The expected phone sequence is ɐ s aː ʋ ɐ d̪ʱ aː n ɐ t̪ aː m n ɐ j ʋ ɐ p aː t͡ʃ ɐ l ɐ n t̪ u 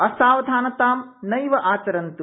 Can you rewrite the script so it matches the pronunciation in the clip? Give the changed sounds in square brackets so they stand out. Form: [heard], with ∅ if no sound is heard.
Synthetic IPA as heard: ɐ s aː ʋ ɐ d̪ʱ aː n ɐ t̪ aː m n ɐ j ʋ ɐ [ʔ] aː t͡ʃ ɐ [ɾ] ɐ n t̪ u

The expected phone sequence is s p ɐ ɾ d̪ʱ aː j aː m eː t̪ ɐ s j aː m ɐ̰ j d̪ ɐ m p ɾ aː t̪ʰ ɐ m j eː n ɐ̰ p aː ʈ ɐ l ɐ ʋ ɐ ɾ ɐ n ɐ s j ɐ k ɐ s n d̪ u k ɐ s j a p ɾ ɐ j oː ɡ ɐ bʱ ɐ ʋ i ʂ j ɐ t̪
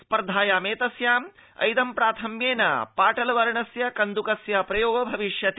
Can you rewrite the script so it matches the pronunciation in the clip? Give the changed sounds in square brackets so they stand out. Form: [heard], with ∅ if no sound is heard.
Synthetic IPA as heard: s p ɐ ɾ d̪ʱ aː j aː m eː t̪ ɐ s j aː m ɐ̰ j d̪ ɐ m p ɾ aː t̪ʰ ɐ m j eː n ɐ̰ p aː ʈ ɐ l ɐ ʋ ɐ ɾ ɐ [ɳ] ɐ s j ɐ k ɐ [∅] n d̪ u k ɐ s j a p ɾ ɐ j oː ɡ ɐ bʱ ɐ ʋ i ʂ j ɐ t̪

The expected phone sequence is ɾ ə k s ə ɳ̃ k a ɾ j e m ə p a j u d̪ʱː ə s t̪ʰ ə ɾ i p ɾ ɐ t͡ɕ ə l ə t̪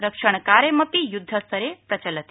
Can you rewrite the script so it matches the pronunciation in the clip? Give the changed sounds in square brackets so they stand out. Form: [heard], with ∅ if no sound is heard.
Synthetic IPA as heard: ɾ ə k [ʂ] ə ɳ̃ k a ɾ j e m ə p [i] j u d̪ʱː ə s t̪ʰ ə ɾ [e] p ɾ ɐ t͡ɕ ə l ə t̪

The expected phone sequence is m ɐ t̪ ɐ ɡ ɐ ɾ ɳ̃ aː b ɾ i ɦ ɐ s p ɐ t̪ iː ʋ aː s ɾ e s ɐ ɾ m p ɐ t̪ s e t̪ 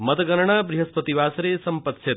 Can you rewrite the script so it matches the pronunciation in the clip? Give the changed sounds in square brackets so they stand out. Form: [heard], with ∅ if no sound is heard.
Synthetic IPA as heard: m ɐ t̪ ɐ ɡ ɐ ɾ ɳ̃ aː b ɾ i ɦ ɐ s p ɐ t̪ [i] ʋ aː s ɾ e s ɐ [∅] m p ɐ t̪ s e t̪

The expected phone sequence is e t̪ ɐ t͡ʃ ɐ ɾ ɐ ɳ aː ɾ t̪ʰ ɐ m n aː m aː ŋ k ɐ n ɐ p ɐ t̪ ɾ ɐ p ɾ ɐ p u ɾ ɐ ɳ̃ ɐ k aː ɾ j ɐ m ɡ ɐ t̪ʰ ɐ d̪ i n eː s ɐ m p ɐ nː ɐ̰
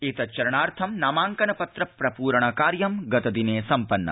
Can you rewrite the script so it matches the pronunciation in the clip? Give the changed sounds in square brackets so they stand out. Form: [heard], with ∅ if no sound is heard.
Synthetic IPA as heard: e t̪ ɐ t͡ʃ ɐ ɾ ɐ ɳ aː ɾ t̪ʰ ɐ m n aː m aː ŋ k ɐ n ɐ p ɐ t̪ ɾ ɐ p ɾ ɐ p [uː] ɾ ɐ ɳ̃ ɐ k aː ɾ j ɐ m ɡ ɐ [t̪] ɐ d̪ i n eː s ɐ m p ɐ nː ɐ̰

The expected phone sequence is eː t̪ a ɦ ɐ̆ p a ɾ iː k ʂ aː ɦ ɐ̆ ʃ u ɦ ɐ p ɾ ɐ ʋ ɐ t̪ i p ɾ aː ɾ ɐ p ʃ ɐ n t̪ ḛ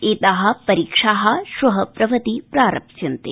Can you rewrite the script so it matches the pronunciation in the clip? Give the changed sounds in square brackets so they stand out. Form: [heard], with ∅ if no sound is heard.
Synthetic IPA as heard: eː t̪ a ɦ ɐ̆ p [ɐ] ɾ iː k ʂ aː ɦ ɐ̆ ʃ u ɦ ɐ p ɾ ɐ ʋ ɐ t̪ i p ɾ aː ɾ ɐ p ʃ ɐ n t̪ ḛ

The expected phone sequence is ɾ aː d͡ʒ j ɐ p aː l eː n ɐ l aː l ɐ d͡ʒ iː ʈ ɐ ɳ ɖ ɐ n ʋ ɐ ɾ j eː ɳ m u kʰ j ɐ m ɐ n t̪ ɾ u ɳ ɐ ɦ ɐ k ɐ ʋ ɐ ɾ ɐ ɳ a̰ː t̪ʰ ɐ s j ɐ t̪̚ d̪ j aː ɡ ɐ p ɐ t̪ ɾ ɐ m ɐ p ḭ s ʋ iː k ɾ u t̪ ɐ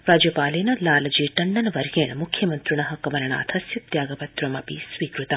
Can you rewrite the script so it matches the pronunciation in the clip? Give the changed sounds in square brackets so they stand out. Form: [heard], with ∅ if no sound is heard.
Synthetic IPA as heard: ɾ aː d͡ʒ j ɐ p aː l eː n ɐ l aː l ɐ d͡ʒ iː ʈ ɐ ɳ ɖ ɐ n ʋ ɐ ɾ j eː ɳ m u kʰ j ɐ m ɐ n t̪ ɾ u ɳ ɐ ɦ ɐ k ɐ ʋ ɐ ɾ ɐ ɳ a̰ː t̪ʰ ɐ s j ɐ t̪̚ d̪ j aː ɡ ɐ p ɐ t̪ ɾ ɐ m ɐ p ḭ s ʋ iː k ɾ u t̪ ɐ

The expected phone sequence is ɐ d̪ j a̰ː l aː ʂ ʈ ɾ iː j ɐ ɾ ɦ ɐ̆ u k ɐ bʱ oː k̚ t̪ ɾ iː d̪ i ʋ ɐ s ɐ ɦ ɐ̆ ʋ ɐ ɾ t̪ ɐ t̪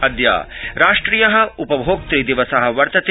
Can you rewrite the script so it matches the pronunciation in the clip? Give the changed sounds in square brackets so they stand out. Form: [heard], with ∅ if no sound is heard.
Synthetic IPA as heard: ɐ d̪ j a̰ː [ɾ] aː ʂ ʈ ɾ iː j ɐ [∅] ɦ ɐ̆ u [p] ɐ bʱ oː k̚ t̪ ɾ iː d̪ i ʋ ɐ s ɐ ɦ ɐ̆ ʋ ɐ ɾ t̪ ɐ t̪

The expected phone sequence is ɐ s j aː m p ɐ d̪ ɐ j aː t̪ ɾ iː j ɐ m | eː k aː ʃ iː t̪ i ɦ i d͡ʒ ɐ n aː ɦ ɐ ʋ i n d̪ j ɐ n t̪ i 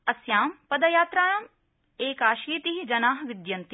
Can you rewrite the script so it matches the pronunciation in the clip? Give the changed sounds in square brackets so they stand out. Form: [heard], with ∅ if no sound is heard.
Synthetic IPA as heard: ɐ s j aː m p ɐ d̪ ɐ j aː t̪ ɾ [aː] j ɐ m | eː k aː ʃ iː t̪ i ɦ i d͡ʒ ɐ n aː ɦ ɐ ʋ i [∅] d̪ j ɐ n t̪ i

